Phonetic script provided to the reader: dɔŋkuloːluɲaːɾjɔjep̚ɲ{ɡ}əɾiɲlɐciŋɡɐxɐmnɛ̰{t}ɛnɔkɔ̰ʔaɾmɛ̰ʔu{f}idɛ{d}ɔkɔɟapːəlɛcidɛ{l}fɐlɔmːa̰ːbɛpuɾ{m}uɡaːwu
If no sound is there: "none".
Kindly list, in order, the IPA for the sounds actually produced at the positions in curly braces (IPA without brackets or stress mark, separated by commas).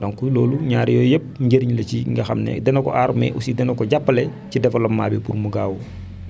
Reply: ɟ, d, s, n, none, m